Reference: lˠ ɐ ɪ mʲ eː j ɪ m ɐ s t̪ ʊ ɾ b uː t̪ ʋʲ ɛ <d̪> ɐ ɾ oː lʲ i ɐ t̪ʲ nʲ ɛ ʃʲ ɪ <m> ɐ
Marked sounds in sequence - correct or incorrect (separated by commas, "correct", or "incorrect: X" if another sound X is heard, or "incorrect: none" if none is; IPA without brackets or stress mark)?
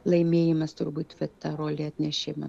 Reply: incorrect: t̪, correct